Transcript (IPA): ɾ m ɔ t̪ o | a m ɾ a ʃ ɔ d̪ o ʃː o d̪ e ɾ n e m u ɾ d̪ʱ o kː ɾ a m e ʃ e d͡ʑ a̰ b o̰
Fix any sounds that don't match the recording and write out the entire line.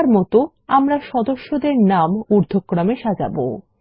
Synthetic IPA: ɾ m ɔ t̪ o | a m ɾ a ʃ ɔ d̪ o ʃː o d̪ e ɾ n a m u ɾ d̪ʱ o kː ɾ a m e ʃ a d͡ʑ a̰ b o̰